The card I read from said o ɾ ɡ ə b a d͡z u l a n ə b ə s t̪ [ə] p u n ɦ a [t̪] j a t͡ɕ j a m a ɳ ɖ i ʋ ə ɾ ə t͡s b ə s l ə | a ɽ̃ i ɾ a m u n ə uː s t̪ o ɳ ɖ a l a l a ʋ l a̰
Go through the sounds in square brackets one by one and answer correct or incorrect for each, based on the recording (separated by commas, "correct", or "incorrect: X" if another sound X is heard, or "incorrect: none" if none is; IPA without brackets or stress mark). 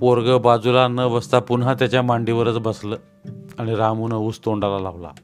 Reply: incorrect: a, correct